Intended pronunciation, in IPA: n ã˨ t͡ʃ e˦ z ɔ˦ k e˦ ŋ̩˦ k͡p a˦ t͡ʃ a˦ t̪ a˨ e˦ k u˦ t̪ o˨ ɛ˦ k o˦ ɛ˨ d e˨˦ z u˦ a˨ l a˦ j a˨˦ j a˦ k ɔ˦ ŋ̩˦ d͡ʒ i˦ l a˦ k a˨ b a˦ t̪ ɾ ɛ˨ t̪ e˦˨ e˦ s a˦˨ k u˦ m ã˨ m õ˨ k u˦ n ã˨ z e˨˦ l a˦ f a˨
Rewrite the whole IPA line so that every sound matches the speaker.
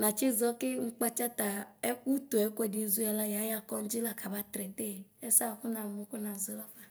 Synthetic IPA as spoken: n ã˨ t͡ʃ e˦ z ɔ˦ k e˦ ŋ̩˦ k͡p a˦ t͡ʃ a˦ t̪ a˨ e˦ k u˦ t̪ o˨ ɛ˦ k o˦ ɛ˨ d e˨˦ z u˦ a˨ l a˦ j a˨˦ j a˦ k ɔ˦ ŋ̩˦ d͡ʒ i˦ l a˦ k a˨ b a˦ t̪ ɾ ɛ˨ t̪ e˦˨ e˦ s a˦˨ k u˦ n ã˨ m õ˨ k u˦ n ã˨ z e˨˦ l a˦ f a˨